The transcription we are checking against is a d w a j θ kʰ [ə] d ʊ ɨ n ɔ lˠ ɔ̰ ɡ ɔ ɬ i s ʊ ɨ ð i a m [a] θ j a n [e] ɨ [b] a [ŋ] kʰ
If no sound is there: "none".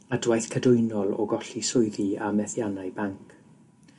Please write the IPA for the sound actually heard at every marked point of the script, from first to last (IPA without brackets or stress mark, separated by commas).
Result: ə, ɛ, a, b, ŋ